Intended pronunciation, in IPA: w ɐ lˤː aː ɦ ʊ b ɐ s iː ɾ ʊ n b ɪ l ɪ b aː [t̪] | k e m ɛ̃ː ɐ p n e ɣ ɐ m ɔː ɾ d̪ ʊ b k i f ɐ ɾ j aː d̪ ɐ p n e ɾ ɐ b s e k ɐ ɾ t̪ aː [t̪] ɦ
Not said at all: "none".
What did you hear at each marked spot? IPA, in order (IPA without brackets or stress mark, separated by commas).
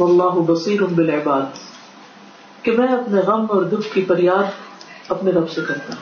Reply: d̪, none